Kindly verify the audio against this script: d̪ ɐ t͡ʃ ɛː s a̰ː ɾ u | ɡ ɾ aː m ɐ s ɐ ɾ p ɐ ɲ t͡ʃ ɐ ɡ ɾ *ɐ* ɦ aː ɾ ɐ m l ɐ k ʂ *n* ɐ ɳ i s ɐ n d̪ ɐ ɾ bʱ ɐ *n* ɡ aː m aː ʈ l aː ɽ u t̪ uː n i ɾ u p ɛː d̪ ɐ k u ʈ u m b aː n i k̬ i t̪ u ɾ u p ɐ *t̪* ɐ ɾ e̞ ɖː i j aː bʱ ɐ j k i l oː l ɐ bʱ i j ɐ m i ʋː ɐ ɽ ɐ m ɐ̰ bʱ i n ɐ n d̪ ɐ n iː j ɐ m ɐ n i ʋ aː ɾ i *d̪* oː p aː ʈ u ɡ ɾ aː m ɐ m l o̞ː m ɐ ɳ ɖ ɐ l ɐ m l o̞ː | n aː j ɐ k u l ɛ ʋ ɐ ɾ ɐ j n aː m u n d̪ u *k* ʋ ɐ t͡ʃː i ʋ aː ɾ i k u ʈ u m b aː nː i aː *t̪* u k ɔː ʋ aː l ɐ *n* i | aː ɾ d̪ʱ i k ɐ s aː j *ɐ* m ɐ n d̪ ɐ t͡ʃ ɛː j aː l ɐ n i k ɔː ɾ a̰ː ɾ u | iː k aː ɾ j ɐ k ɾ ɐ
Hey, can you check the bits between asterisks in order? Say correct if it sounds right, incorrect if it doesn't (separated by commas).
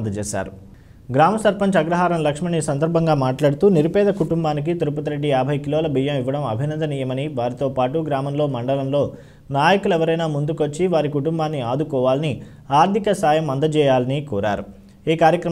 correct, incorrect, incorrect, correct, incorrect, correct, incorrect, correct, correct